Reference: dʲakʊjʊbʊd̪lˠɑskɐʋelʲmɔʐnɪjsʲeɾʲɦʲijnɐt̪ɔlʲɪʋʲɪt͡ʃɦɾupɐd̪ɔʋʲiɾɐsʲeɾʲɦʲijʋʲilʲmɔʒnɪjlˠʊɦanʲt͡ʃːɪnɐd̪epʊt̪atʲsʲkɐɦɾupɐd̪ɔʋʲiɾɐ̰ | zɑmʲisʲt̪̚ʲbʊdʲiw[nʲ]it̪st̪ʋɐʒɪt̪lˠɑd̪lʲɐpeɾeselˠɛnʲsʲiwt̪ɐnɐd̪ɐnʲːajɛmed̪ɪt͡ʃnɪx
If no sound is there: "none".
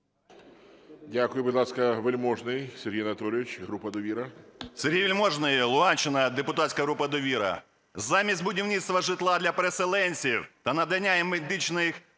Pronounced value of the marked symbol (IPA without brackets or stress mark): nʲ